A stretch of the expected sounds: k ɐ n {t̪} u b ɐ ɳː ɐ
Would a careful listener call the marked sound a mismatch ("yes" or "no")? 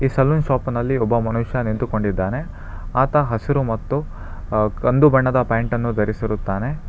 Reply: yes